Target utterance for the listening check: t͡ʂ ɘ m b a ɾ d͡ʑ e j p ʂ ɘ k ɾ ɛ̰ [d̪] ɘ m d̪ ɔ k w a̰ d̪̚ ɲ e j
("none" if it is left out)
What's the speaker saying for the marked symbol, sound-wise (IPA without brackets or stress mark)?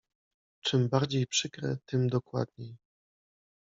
t̪